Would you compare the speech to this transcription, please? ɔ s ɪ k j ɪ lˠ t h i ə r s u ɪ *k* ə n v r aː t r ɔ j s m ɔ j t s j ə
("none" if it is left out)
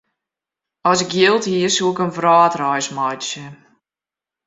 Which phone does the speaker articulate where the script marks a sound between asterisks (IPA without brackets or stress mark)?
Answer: k